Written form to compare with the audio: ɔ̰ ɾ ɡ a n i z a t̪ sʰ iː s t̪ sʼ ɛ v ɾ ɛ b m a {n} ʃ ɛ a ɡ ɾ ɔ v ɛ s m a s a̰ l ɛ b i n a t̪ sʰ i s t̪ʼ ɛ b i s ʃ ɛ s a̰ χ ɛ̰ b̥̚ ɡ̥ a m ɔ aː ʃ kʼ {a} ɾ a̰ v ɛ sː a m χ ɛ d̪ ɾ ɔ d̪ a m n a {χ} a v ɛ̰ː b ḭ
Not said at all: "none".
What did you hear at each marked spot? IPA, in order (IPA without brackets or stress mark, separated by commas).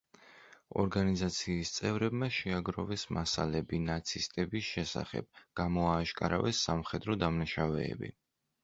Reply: none, a, ʃ